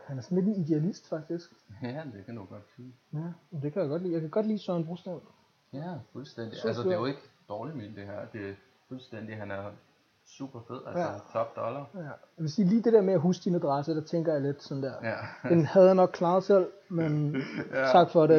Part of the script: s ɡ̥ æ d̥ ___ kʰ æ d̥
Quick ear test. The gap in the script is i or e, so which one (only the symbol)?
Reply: e